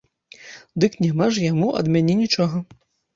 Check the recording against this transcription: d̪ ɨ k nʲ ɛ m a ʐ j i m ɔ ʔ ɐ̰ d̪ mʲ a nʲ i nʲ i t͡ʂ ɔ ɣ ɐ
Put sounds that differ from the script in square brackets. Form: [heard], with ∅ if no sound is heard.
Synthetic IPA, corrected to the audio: d̪ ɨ k nʲ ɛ m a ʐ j [a] m [u] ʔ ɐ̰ d̪ mʲ a nʲ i nʲ i t͡ʂ ɔ ɣ ɐ